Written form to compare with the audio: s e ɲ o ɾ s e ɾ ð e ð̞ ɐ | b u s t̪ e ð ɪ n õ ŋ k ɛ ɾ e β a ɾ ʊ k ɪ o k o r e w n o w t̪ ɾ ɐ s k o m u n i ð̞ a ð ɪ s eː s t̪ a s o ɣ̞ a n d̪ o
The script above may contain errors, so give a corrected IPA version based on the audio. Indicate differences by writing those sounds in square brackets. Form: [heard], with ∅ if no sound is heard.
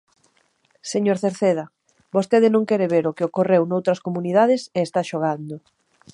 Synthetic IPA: s e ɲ o ɾ [θ] e ɾ [θ] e ð̞ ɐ | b [o] s t̪ e ð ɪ n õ ŋ k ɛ ɾ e β [e] ɾ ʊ k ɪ o k o r e w n o w t̪ ɾ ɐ s k o m u n i ð̞ a ð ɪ s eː s t̪ a [ʃ] o ɣ̞ a n d̪ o